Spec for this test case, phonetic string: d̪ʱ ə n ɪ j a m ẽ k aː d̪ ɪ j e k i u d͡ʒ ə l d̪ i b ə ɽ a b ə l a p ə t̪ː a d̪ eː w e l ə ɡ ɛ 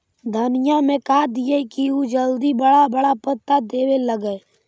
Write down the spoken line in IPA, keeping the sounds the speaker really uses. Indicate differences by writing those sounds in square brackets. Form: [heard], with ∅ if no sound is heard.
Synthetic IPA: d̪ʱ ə n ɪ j a m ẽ k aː d̪ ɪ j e k i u d͡ʒ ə l d̪ i b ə ɽ a b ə [ɽ] a p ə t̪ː a d̪ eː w e l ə ɡ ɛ